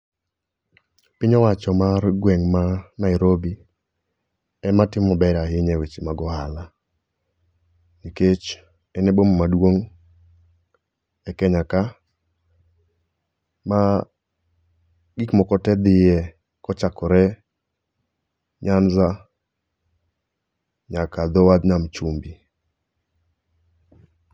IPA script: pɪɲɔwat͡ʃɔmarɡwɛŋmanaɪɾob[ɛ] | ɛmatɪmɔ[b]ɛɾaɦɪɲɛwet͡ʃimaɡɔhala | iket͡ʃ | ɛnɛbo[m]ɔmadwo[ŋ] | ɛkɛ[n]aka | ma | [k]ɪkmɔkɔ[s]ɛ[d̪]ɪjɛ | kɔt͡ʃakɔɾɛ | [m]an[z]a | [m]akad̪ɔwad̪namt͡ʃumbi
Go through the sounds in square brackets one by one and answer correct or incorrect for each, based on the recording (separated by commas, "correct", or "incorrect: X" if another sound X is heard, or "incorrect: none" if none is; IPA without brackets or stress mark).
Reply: incorrect: i, correct, correct, correct, incorrect: ɲ, incorrect: ɡ, incorrect: t, correct, incorrect: ɲ, correct, incorrect: ɲ